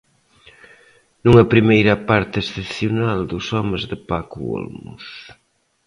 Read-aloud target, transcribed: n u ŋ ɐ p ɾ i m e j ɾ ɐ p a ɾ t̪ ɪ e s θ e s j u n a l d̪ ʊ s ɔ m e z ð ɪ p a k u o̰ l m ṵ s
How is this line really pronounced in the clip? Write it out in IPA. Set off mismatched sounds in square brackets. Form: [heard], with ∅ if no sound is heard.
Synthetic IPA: n u ŋ ɐ p ɾ i m e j ɾ ɐ p a ɾ t̪ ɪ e s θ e [θ] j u n a l d̪ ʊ s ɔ m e z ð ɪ p a k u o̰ l m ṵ s